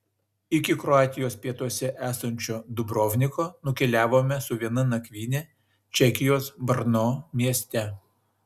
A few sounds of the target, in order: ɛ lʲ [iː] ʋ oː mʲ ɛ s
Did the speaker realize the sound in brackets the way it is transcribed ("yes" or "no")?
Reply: no